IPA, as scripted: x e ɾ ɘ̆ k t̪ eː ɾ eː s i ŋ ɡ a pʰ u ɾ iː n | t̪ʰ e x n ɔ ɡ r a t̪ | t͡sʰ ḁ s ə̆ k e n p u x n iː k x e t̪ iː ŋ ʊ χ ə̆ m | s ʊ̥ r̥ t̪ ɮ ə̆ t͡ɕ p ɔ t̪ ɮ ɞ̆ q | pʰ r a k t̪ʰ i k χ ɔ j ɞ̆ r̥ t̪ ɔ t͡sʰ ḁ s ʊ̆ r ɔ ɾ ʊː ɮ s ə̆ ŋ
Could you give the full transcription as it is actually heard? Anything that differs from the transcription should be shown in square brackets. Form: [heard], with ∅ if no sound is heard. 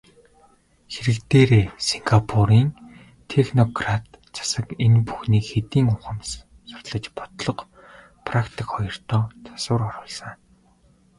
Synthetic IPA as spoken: x e ɾ ɘ̆ k t̪ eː ɾ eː s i ŋ ɡ a pʰ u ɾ iː n | t̪ʰ e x n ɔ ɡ r a t̪ | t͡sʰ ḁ s ə̆ k e n p u x n iː k x e t̪ iː ŋ ʊ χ ə̆ m | s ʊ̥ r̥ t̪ ɮ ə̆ t͡ɕ p ɔ t̪ ɮ ɞ̆ q | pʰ r a k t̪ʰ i k χ ɔ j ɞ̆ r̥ t̪ [ɔː] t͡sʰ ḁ s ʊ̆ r ɔ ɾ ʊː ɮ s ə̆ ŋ